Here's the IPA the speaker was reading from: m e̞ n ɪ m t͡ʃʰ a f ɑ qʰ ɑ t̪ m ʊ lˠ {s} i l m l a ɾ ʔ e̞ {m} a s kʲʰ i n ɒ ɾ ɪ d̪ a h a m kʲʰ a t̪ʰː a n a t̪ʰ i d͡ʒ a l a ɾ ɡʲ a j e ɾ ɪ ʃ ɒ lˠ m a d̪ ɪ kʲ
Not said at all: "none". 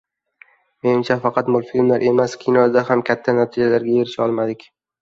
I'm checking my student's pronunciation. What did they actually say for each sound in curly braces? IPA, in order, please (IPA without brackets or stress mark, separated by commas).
f, m